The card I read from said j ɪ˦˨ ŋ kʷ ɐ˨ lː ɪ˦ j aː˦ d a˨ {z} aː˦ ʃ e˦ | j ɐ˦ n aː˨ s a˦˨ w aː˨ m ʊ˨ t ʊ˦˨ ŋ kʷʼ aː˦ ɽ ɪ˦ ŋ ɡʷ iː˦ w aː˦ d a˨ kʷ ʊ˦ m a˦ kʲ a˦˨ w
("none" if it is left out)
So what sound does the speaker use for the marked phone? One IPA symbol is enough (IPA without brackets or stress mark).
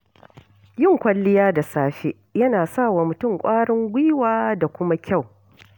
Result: s